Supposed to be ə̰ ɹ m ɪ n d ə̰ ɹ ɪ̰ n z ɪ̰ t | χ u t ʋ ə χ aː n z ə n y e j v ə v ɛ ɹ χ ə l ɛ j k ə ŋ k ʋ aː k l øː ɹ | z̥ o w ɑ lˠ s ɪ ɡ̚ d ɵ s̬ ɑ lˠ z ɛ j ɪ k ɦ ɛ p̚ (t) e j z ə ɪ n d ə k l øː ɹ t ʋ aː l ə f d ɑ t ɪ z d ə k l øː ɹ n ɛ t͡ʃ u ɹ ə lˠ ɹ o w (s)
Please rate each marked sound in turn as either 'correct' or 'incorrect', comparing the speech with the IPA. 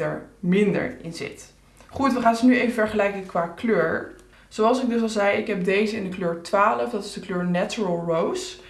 incorrect: d, correct

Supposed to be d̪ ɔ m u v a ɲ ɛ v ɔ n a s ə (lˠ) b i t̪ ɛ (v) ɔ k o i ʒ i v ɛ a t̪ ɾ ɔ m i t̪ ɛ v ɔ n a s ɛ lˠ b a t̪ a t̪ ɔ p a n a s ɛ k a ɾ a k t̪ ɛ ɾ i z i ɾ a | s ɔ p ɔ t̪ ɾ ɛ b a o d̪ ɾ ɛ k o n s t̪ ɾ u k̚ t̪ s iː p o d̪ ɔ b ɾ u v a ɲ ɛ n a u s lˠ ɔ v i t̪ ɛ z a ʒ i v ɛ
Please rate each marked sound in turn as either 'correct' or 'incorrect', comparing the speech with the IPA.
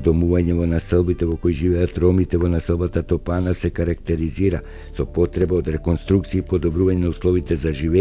correct, correct

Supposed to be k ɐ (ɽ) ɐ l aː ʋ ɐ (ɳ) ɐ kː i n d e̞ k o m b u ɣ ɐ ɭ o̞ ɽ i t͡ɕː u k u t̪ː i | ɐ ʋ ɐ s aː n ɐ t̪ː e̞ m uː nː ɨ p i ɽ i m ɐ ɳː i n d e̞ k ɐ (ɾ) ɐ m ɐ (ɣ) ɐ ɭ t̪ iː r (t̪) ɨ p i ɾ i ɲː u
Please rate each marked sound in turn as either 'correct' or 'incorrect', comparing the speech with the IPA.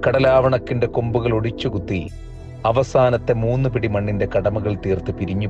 correct, correct, incorrect: ɽ, correct, correct

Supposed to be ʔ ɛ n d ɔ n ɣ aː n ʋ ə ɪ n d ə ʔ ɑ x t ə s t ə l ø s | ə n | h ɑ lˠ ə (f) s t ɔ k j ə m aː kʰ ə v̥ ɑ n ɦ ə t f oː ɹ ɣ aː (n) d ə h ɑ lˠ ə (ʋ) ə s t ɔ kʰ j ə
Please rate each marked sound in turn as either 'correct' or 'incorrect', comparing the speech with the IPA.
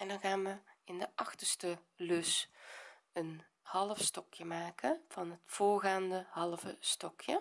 correct, correct, incorrect: v

